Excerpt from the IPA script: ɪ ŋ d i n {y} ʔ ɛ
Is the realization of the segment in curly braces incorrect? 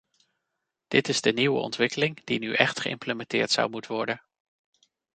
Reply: no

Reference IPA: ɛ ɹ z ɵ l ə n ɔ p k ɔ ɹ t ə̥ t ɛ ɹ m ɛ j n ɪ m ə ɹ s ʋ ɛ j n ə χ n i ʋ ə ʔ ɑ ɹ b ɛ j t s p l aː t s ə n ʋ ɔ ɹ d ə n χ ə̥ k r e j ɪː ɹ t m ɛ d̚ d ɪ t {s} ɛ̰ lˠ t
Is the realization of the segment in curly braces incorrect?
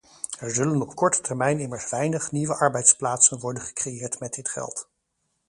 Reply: yes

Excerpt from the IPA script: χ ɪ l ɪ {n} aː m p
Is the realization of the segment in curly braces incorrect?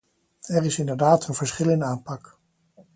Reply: no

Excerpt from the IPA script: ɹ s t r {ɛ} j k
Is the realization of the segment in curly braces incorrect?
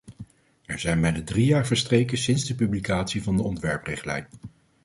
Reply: yes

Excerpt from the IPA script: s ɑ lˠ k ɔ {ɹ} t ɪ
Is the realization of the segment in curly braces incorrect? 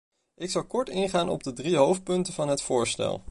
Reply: no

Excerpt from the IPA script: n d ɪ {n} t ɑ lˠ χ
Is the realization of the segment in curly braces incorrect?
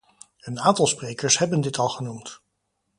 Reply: yes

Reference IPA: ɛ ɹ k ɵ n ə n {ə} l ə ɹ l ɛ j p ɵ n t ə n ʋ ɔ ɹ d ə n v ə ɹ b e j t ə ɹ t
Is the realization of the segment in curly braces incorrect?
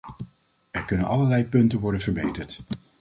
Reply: yes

